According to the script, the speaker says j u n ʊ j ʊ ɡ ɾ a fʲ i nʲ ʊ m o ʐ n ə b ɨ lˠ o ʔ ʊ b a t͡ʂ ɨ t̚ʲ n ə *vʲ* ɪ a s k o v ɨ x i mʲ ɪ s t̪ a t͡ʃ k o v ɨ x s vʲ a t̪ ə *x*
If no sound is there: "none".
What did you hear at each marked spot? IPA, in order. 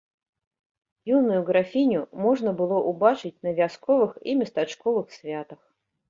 vʲ, x

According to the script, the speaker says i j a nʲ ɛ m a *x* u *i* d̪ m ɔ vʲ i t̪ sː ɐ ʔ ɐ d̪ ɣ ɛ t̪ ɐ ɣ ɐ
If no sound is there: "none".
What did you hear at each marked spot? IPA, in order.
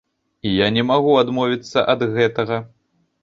ɣ, a

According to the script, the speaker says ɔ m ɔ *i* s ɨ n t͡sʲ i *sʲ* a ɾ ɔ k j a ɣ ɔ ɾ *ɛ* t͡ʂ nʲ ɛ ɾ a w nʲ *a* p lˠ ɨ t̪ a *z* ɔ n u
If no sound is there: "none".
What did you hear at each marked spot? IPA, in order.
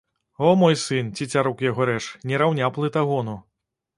j, t͡sʲ, ɛ, a, ɣ

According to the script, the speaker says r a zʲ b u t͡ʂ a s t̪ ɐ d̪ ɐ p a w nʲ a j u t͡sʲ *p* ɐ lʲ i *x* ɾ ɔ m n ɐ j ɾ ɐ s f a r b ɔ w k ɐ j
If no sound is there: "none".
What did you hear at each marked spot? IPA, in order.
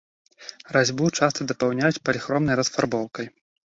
p, x

